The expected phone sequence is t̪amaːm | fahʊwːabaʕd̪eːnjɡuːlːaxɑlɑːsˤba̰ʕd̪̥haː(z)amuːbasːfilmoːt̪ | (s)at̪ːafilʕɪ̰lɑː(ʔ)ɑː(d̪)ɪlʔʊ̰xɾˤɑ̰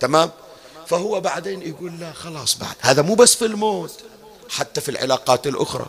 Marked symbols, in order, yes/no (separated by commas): no, no, no, no